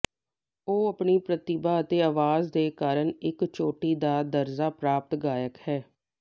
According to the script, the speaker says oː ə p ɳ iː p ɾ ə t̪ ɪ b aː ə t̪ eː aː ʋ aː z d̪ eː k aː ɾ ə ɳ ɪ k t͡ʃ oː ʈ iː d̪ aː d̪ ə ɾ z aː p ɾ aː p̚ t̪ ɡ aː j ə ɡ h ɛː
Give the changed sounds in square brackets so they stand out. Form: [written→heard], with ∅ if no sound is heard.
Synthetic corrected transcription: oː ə p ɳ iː p ɾ ə t̪ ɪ b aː ə t̪ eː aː ʋ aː z d̪ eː k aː ɾ ə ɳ ɪ k t͡ʃ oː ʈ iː d̪ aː d̪ ə ɾ z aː p ɾ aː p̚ t̪ ɡ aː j ə [ɡ→k] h ɛː